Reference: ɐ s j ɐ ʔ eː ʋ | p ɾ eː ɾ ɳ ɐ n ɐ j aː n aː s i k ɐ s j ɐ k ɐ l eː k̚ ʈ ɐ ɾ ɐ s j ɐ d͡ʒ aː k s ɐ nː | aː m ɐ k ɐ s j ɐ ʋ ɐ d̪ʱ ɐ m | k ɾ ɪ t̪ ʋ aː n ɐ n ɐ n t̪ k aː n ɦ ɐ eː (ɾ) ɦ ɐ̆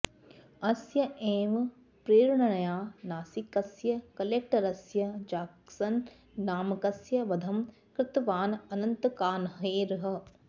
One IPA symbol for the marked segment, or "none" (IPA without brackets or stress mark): ɾ